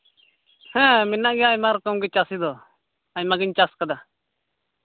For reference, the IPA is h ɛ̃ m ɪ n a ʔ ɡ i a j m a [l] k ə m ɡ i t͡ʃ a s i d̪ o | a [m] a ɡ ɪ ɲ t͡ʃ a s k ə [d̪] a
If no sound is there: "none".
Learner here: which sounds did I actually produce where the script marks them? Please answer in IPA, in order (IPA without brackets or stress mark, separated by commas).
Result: ɾ, m, d̪